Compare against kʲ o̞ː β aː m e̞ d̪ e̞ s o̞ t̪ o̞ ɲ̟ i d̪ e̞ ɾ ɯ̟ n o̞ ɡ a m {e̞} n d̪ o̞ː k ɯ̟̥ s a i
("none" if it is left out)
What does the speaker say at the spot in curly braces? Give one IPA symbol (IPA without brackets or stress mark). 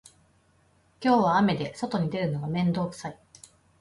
ẽ̞